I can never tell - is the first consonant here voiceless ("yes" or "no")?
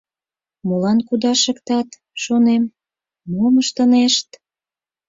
no